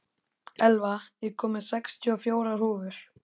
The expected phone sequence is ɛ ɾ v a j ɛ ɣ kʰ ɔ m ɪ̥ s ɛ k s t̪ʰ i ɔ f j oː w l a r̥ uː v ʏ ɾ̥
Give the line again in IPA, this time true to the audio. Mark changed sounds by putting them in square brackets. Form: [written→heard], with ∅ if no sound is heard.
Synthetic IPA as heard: ɛ [ɾ→l] v a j ɛ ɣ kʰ [ɔ→ɔː] m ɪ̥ s ɛ k s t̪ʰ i ɔ f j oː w [l→ɾ] a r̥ uː v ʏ ɾ̥